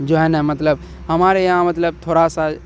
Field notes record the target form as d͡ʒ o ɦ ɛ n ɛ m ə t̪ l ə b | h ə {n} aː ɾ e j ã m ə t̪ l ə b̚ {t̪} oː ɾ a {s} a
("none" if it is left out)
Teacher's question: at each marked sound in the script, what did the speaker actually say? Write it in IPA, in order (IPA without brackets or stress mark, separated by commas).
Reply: m, t̪ʰ, s